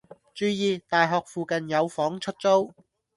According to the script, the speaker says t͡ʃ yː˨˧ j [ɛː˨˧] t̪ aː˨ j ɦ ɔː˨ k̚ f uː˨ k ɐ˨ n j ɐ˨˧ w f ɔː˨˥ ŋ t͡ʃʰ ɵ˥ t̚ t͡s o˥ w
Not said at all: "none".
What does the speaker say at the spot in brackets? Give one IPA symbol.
iː˨˧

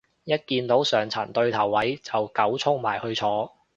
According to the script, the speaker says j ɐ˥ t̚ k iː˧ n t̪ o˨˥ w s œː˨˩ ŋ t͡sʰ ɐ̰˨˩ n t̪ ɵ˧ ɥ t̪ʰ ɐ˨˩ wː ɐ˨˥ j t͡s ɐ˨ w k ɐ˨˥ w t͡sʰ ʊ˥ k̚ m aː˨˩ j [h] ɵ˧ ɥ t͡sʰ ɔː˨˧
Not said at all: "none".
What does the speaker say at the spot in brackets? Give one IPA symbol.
h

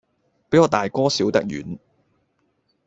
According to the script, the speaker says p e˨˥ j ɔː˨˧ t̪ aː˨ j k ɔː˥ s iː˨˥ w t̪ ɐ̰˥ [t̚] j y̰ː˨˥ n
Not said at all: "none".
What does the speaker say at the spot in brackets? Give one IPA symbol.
k̚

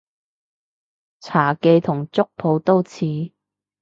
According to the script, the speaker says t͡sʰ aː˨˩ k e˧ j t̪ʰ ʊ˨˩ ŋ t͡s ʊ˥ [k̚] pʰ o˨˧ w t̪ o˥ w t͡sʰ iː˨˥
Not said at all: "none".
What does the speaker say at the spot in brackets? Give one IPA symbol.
k̚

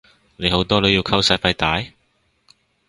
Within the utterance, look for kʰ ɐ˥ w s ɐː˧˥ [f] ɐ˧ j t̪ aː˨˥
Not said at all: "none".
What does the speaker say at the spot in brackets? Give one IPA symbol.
f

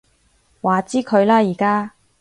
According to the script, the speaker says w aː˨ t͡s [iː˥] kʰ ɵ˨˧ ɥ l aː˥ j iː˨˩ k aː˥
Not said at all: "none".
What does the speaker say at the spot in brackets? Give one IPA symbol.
iː˥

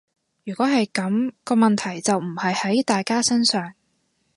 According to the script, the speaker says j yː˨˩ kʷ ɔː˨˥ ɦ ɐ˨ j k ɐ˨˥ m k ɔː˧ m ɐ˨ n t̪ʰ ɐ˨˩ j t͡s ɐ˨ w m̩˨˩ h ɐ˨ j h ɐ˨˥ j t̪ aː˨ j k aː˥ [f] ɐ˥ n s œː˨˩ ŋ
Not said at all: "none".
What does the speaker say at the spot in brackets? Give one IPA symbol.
s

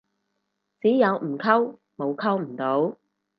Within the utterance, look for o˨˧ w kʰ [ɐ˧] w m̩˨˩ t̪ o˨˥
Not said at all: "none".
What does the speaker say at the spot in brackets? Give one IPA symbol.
ɐ˥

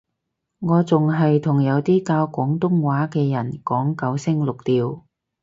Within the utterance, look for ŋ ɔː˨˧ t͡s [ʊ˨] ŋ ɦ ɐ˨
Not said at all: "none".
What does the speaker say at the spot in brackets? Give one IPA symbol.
ʊ˨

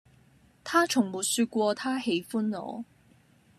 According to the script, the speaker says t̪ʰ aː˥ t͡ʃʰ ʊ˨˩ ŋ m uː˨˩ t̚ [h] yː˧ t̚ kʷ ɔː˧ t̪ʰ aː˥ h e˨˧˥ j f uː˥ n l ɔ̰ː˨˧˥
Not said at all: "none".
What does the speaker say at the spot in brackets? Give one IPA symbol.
s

